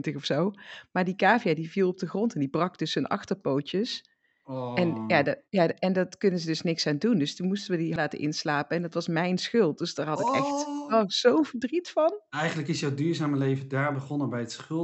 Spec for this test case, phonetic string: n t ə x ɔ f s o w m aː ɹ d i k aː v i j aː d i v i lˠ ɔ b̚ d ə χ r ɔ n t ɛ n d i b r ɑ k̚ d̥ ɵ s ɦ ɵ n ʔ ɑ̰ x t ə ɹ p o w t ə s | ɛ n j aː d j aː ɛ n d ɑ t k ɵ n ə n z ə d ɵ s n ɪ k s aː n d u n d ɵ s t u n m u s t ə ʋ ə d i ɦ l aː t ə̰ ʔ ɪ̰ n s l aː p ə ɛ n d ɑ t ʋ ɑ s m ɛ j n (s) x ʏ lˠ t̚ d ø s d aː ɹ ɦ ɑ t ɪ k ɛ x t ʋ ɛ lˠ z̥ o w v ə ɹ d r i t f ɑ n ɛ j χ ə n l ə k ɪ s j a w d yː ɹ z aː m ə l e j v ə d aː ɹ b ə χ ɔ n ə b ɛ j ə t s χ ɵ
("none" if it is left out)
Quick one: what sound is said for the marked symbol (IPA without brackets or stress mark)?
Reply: s